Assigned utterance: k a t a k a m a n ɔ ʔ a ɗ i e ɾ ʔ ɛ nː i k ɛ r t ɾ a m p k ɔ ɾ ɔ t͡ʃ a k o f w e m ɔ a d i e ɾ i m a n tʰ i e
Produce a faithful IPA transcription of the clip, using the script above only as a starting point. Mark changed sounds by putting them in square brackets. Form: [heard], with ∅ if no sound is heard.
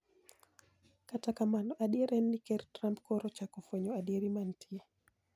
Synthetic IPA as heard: k a t a k a m a n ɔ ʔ a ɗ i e ɾ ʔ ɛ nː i k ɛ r t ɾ a m p k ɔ ɾ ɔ t͡ʃ a k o f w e [ɲ] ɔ a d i e ɾ i m a n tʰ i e